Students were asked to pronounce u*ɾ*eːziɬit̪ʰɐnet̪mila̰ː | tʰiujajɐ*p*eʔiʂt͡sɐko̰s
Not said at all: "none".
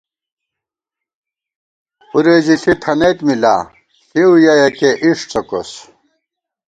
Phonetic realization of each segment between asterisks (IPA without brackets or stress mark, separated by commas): ɾ, k